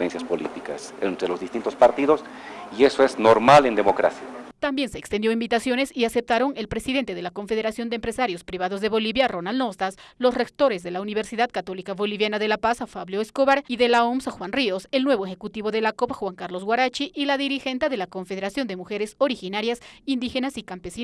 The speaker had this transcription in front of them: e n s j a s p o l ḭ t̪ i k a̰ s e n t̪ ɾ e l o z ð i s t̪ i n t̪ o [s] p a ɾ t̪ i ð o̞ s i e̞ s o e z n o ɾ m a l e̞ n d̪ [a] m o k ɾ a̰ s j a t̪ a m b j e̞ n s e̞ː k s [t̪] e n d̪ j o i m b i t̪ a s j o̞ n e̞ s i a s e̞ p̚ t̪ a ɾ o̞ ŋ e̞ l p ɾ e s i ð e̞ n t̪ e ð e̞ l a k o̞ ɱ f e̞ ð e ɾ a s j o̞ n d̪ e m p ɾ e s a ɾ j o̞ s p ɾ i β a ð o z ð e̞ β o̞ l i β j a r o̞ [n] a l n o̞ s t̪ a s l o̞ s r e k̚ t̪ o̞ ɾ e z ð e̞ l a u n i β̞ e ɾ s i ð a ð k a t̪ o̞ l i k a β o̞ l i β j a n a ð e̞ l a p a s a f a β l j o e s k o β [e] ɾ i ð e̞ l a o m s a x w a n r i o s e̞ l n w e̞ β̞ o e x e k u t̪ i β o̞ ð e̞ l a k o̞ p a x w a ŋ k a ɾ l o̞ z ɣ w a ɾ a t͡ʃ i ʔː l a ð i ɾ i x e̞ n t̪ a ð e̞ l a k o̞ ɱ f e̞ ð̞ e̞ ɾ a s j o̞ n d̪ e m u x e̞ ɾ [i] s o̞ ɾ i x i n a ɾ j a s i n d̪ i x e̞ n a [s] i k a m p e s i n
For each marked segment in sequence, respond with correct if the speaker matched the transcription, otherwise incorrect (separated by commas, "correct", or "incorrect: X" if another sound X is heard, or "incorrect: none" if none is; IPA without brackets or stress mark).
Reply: correct, incorrect: e, correct, correct, incorrect: a, incorrect: e, correct